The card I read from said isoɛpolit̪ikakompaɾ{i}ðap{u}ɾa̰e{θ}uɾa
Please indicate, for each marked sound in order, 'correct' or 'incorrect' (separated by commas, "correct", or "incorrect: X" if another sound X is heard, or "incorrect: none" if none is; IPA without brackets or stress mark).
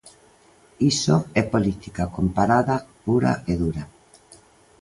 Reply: incorrect: a, correct, incorrect: ð